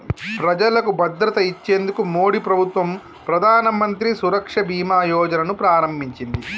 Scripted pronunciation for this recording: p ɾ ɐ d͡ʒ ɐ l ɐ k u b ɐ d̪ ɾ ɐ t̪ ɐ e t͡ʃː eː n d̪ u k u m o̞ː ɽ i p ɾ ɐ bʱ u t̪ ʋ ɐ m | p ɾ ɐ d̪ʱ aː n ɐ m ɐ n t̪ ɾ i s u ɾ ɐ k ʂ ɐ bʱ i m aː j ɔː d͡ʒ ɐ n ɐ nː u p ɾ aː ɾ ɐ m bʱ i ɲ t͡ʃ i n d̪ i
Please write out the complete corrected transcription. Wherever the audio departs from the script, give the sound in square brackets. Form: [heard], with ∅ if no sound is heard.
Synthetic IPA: p ɾ ɐ d͡ʒ ɐ l ɐ k u b ɐ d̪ ɾ ɐ t̪ ɐ [i] t͡ʃː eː n d̪ u k u m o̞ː ɽ i p ɾ ɐ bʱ u t̪ ʋ ɐ m | p ɾ ɐ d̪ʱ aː n ɐ m ɐ n t̪ ɾ i s u ɾ ɐ k ʂ ɐ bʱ [iː] m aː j ɔː d͡ʒ ɐ n ɐ [n] u p ɾ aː ɾ ɐ m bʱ i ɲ t͡ʃ i n d̪ i

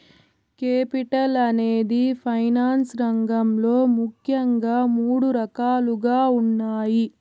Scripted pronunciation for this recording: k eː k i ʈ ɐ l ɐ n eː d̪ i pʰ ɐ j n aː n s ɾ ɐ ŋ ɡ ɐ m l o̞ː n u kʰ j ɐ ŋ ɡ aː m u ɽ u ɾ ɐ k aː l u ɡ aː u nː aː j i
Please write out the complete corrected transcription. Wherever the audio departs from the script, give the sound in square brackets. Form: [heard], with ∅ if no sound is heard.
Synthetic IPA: k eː [p] i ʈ ɐ l ɐ n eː d̪ i pʰ ɐ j n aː n s ɾ ɐ ŋ ɡ ɐ m l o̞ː [m] u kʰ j ɐ ŋ ɡ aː m [uː] ɽ u ɾ ɐ k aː l u ɡ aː u nː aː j i

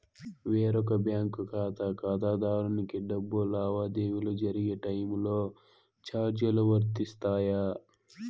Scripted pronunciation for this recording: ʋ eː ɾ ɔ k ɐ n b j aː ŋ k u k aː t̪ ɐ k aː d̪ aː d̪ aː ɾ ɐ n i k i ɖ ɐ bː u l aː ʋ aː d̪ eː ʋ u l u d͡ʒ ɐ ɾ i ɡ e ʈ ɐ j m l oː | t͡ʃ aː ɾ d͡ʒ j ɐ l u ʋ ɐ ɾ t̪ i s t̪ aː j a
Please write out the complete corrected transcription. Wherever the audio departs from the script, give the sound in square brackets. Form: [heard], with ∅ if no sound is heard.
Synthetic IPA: ʋ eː ɾ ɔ k ɐ [∅] b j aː ŋ k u k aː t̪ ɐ k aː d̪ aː d̪ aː ɾ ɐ n i k i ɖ ɐ bː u l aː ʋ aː d̪ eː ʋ u l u d͡ʒ ɐ ɾ i ɡ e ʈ ɐ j m l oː | t͡ʃ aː ɾ d͡ʒ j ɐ l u ʋ ɐ ɾ t̪ i s t̪ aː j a

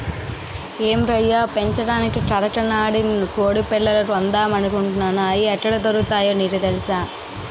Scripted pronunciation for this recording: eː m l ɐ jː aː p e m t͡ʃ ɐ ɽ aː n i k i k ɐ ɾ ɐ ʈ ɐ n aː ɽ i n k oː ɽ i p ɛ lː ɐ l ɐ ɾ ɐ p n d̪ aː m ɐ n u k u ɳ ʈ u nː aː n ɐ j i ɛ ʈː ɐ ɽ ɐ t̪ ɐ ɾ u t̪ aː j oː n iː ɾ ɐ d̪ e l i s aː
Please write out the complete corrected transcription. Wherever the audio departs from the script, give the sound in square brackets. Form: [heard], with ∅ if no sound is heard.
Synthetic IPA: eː m [ɾ] ɐ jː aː p e [ɲ] t͡ʃ ɐ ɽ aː n i k i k ɐ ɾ ɐ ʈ ɐ n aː ɽ i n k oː ɽ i p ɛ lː ɐ l ɐ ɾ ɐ [∅] n d̪ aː m ɐ n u k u ɳ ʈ u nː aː n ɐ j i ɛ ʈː ɐ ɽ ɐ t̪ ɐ ɾ u t̪ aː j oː n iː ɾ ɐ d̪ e l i s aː

